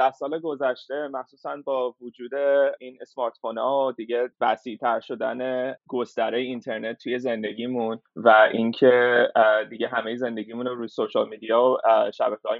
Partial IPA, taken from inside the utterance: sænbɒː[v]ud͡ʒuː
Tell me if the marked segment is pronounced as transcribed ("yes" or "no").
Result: yes